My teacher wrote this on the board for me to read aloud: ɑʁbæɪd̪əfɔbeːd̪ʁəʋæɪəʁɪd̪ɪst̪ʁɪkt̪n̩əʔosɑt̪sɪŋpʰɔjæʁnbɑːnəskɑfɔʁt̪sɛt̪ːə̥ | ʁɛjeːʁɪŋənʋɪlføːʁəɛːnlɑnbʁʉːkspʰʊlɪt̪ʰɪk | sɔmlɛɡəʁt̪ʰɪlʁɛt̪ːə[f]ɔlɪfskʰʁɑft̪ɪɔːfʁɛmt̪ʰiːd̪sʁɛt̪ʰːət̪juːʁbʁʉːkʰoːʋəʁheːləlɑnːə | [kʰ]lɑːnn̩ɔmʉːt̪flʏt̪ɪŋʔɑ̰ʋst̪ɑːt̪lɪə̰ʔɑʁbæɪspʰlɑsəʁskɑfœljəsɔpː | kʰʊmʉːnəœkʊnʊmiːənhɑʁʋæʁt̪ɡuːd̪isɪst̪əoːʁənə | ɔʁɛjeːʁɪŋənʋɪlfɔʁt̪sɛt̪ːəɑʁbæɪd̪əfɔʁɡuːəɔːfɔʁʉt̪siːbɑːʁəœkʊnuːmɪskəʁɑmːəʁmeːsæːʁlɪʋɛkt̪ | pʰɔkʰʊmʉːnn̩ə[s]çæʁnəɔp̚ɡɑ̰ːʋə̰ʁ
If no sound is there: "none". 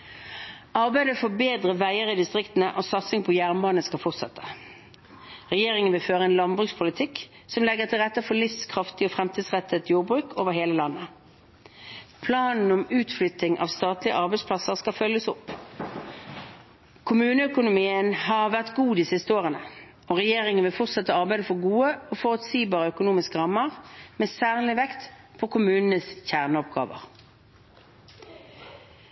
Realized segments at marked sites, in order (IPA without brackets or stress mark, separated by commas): f, pʰ, s